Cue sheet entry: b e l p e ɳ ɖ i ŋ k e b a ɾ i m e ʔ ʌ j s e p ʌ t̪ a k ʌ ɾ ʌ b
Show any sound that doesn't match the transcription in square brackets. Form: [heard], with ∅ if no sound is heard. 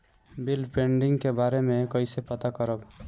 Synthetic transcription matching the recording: b [i] l p e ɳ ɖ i ŋ k e b a ɾ [e] m e [k] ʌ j s e p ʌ t̪ a k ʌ ɾ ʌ b